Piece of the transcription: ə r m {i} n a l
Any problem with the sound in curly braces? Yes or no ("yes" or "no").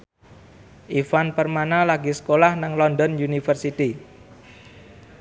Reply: yes